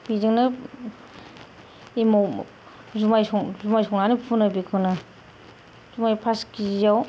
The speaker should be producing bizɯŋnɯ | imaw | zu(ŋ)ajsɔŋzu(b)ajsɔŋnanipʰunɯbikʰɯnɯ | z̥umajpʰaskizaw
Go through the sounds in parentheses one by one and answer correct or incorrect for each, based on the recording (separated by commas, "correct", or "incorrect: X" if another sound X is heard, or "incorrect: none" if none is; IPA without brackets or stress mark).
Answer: incorrect: m, incorrect: m